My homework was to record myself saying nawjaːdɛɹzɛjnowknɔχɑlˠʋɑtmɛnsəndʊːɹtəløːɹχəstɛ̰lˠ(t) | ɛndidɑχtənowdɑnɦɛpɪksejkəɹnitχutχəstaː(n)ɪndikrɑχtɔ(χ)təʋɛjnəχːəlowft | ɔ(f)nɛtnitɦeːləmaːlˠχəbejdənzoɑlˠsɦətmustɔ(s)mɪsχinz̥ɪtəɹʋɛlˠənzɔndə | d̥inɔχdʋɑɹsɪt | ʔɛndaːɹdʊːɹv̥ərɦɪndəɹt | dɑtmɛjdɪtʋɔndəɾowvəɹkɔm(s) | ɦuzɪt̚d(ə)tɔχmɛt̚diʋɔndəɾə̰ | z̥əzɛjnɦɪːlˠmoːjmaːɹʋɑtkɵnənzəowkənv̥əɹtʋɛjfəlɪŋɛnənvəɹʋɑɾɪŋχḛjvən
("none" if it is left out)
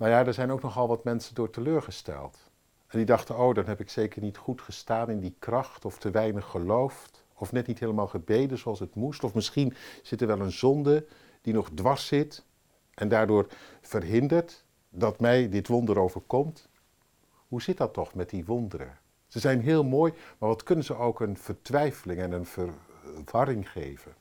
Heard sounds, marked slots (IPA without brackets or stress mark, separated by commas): t, n, f, f, f, t, ɑ